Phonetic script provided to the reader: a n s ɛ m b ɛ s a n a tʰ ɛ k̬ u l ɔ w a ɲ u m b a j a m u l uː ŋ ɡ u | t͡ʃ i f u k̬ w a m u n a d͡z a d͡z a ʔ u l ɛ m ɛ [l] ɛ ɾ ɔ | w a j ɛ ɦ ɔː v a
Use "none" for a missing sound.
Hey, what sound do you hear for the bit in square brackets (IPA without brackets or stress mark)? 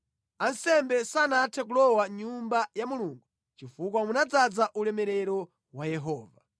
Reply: ɾ